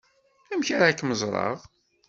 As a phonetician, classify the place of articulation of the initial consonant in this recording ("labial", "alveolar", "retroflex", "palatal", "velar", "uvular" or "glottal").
labial